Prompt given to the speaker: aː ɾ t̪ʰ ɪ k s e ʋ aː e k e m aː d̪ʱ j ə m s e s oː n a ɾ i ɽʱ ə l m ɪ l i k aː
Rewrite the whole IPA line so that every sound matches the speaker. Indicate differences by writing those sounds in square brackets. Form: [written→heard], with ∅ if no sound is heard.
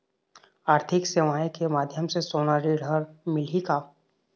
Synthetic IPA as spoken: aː ɾ t̪ʰ ɪ k s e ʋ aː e k e m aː d̪ʱ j ə m s e s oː n a ɾ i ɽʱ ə [l→ɾ] m ɪ l i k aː

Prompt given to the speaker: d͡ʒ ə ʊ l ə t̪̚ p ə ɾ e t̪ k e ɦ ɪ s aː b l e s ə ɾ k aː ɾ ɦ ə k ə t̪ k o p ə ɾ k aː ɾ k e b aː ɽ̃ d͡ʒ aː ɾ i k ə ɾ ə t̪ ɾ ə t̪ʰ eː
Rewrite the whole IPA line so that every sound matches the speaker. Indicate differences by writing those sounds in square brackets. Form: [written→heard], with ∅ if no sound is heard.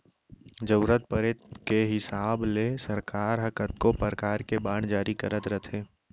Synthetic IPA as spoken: d͡ʒ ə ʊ [l→ɾ] ə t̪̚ p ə ɾ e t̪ k e ɦ ɪ s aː b l e s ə ɾ k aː ɾ ɦ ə k ə t̪ k o p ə ɾ k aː ɾ k e b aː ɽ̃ d͡ʒ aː ɾ i k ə ɾ ə t̪ ɾ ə t̪ʰ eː

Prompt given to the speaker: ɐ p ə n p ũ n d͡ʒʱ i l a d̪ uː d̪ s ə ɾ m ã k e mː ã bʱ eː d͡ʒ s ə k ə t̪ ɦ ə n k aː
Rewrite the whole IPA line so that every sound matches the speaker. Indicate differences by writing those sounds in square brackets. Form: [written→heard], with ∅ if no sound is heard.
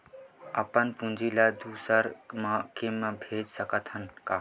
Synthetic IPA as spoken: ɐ p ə n p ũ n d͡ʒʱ i l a d̪ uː [d̪→∅] s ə ɾ m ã k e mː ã bʱ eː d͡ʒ s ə k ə t̪ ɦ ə n k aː

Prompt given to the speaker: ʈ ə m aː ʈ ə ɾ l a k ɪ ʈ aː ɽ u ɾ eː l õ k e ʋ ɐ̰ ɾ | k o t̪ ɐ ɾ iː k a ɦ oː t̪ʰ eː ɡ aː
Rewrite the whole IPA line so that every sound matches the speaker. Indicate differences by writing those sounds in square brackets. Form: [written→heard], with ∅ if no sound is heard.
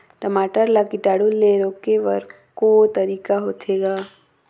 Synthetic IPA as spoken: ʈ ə m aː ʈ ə ɾ l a k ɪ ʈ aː ɽ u [ɾ→l] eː [l→ɾ] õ k e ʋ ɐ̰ ɾ | k o t̪ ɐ ɾ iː k a ɦ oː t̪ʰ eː ɡ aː

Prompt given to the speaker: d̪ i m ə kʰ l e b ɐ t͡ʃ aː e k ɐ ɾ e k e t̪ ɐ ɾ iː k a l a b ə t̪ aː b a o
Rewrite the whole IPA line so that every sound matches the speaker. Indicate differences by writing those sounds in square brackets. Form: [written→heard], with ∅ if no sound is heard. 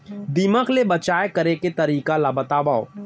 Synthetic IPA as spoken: d̪ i m ə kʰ l e b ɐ t͡ʃ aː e k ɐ ɾ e k e t̪ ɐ ɾ iː k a l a b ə t̪ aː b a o

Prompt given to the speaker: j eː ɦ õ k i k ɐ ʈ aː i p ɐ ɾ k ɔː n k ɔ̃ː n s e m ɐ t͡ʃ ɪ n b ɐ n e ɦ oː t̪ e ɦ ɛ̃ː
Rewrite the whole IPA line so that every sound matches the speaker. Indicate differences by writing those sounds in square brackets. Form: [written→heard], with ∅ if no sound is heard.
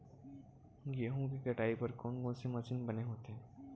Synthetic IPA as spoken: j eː ɦ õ k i k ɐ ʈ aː i p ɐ ɾ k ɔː n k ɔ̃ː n s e m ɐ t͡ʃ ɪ n b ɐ n e ɦ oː t̪ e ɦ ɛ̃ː

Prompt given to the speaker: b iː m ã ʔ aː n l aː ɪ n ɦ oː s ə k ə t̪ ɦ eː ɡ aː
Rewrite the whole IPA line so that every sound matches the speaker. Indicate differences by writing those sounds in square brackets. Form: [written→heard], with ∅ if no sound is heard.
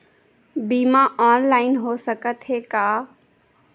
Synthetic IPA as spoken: b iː m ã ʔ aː n l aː ɪ n ɦ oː s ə k ə t̪ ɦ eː [ɡ→k] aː

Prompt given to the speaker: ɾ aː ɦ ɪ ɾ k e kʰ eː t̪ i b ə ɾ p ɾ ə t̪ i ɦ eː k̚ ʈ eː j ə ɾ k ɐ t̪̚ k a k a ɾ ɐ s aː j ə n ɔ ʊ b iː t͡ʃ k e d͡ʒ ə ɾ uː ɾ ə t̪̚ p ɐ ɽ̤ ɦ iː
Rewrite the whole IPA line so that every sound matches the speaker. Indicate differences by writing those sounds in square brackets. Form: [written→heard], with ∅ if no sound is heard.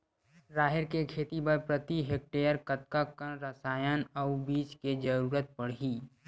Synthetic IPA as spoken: ɾ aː ɦ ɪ ɾ k e kʰ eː t̪ i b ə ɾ p ɾ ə t̪ i ɦ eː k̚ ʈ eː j ə ɾ k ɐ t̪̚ k a k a ɾ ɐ s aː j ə n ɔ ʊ b iː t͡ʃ k e d͡ʒ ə ɾ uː ɾ ə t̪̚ p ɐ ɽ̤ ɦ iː

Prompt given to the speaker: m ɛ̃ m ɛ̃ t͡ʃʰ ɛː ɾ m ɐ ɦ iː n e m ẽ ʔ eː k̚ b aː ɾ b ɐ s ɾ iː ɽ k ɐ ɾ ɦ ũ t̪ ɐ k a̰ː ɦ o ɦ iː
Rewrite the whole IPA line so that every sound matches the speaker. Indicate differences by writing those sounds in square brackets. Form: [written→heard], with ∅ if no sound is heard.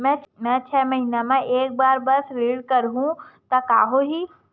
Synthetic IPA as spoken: m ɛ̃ m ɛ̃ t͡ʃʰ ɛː [ɾ→∅] m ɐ ɦ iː n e m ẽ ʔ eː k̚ b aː ɾ b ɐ s ɾ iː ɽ k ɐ ɾ ɦ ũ t̪ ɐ k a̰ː ɦ o ɦ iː

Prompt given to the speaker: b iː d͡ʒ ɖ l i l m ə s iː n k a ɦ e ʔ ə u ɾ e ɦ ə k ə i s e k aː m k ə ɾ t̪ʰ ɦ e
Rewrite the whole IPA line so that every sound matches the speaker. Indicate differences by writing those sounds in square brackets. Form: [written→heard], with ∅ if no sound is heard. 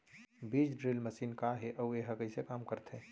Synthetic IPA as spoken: b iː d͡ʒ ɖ [l→ɾ] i l m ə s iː n k a ɦ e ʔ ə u [ɾ→∅] e ɦ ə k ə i s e k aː m k ə ɾ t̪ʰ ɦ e

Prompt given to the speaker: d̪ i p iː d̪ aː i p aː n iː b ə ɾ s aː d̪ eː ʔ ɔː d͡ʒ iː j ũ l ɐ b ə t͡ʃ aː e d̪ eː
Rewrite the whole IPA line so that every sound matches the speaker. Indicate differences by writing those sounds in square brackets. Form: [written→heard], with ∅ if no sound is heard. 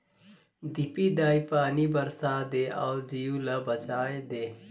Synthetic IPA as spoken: d̪ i p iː d̪ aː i p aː n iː b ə ɾ s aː d̪ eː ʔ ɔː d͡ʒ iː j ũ l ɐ b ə t͡ʃ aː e d̪ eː

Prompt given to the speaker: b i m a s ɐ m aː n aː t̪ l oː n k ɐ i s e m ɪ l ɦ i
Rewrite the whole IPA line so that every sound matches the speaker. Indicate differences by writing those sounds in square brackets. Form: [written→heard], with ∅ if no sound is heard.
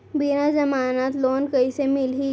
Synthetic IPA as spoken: b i [m→n] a [s→z] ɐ m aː n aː t̪ l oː n k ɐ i s e m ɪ l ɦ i

